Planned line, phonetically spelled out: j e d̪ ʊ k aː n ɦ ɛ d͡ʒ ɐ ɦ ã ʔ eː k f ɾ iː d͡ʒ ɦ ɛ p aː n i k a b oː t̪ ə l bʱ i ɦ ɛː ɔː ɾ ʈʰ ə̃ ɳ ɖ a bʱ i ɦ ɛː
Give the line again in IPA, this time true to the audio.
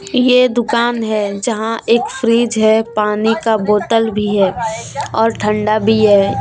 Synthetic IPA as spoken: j e d̪ ʊ k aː n ɦ ɛ d͡ʒ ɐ ɦ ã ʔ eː k f ɾ iː d͡ʒ ɦ ɛ p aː n i k a b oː t̪ ə l bʱ i ɦ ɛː ɔː ɾ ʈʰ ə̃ ɳ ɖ a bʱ i ɦ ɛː

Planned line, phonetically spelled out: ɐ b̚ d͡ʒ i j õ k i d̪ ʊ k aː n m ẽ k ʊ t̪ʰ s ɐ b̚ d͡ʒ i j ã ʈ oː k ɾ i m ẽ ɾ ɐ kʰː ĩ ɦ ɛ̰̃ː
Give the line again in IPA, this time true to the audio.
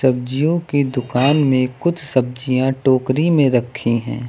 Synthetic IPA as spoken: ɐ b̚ d͡ʒ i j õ k i d̪ ʊ k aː n m ẽ k ʊ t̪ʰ s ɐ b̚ d͡ʒ i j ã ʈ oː k ɾ i m ẽ ɾ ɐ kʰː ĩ ɦ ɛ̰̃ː

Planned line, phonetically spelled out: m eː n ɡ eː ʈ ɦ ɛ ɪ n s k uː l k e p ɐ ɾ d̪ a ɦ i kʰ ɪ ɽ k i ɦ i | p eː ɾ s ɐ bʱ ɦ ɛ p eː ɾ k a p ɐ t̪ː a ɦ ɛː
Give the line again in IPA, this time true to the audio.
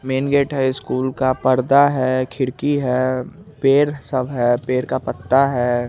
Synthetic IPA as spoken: m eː n ɡ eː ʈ ɦ ɛ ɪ s k uː l k a p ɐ ɾ d̪ a ɦ ɛ kʰ ɪ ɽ k i ɦ ɛ | p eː ɾ s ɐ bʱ ɦ ɛ p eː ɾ k a p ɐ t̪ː a ɦ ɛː

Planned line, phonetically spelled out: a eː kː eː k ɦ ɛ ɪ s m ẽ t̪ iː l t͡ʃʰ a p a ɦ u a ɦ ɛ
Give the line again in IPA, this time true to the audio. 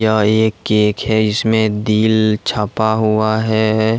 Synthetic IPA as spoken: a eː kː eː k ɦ ɛ ɪ s m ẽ d̪ iː l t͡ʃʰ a p a ɦ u a ɦ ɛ

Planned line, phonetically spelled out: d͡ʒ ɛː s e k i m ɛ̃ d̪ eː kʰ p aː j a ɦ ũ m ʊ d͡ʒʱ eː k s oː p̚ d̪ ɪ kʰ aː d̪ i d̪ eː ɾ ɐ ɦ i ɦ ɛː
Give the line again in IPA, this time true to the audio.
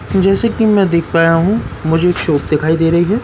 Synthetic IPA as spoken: d͡ʒ ɛː s e k i m ɛ̃ d̪ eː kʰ p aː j a ɦ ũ m ʊ d͡ʒʱ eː k ʃ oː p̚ d̪ ɪ kʰ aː i d̪ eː ɾ ɐ ɦ i ɦ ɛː

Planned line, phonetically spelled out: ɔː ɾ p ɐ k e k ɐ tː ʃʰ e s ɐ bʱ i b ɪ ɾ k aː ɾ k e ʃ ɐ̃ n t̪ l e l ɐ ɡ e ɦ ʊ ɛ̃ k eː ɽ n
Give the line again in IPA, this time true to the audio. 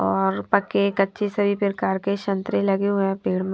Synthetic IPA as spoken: ɔː ɾ p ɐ k e k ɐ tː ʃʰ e s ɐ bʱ i p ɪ ɾ k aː ɾ k e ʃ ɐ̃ n t̪ ɾ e l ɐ ɡ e ɦ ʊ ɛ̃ p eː ɽ m

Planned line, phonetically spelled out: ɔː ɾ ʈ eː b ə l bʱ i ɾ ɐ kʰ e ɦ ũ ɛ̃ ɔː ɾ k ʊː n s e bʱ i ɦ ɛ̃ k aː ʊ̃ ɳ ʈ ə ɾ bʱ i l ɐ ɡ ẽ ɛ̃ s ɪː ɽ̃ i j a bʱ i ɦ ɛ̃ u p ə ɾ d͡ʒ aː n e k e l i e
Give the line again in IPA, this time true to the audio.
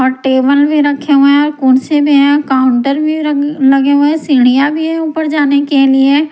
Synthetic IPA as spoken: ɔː ɾ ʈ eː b ə l bʱ i ɾ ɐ kʰ e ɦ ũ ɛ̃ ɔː ɾ k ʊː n s e bʱ i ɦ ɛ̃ k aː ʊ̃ ɳ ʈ ə ɾ bʱ i l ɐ ɡ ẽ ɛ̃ s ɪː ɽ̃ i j a bʱ i ɦ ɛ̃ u p ə ɾ d͡ʒ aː n e k e l i e

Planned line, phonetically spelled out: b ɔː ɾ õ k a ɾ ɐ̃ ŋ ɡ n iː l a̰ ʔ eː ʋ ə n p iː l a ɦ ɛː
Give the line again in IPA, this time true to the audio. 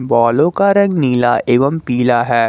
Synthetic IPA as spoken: b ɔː l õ k a ɾ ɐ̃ ŋ ɡ n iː l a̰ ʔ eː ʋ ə m p iː l a ɦ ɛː

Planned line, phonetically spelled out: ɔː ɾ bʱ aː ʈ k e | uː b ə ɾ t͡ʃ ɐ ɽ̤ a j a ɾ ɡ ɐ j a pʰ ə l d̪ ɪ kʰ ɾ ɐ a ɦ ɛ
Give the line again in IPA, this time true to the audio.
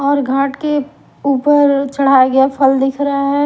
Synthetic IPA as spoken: ɔː ɾ ɡʱ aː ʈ k e | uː p ə ɾ t͡ʃ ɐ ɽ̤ a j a ɡ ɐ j a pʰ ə l d̪ ɪ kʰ ɾ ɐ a ɦ ɛ

